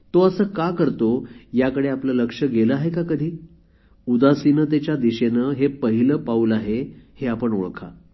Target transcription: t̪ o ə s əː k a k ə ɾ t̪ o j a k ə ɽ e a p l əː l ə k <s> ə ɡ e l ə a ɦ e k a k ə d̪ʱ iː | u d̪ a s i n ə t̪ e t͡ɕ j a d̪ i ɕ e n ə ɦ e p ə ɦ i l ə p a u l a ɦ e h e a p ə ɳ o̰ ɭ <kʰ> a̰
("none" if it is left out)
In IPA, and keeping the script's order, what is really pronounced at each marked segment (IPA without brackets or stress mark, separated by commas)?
ʂ, kʰ